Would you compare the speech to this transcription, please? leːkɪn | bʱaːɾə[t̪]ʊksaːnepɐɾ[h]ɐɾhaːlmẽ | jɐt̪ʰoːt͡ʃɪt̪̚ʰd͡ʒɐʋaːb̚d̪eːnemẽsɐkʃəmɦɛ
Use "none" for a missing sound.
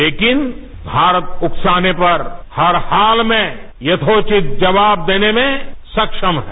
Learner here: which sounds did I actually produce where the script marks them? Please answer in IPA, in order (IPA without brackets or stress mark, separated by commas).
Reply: t̪, h